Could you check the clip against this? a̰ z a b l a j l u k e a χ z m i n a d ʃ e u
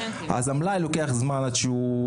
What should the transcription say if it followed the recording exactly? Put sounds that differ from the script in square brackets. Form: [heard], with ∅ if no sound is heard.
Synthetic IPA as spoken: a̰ z a [m] l a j l [o] k e a χ z m [a] n a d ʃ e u